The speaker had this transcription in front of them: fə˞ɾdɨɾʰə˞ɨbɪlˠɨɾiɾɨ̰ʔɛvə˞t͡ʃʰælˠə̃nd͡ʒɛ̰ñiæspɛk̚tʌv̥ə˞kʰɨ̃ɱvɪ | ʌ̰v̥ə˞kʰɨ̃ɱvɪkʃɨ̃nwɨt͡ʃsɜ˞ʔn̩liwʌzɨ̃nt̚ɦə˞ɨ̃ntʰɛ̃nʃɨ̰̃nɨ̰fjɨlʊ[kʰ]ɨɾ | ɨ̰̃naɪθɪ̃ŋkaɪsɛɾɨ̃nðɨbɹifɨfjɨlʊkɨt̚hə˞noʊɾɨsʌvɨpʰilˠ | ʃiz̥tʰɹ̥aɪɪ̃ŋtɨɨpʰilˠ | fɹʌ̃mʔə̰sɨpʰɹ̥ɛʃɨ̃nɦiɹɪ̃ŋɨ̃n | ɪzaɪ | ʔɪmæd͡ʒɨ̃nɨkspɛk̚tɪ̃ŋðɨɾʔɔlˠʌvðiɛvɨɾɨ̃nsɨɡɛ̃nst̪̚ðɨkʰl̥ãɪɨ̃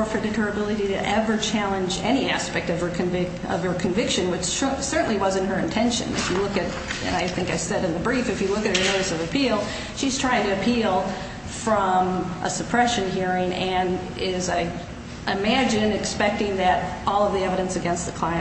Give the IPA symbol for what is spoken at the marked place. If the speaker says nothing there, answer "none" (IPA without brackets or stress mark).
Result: k